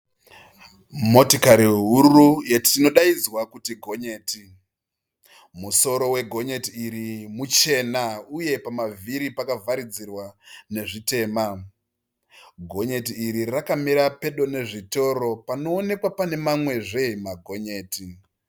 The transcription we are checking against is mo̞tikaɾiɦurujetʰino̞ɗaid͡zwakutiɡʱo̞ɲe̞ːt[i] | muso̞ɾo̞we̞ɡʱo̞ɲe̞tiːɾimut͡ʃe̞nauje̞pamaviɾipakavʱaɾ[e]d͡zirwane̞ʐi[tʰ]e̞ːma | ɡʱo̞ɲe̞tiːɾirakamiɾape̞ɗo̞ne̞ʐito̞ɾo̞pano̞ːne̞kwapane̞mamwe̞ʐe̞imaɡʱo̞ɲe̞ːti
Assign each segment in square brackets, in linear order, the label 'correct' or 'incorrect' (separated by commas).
correct, incorrect, incorrect